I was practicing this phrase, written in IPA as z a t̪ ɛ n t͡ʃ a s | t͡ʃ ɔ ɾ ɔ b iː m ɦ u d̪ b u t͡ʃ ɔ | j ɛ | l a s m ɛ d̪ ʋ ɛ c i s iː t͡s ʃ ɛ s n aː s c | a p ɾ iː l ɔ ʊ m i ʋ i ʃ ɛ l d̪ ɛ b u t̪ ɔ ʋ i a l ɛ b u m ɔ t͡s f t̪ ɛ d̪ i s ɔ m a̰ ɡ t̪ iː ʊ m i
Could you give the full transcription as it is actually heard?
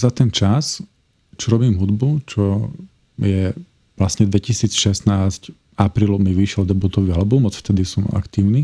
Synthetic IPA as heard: z a t̪ ɛ n t͡ʃ a s | t͡ʃ ɔ ɾ ɔ b iː m ɦ u d̪ b u t͡ʃ ɔ | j ɛ | l a s ɲ ɛ d̪ ʋ ɛ c i s iː t͡s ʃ ɛ s n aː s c | a p ɾ iː l ɔ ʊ m i ʋ i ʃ ɛ l d̪ ɛ b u t̪ ɔ ʋ i a l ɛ b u m ɔ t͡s f t̪ ɛ d̪ i s ɔ m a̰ k t̪ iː ʊ n i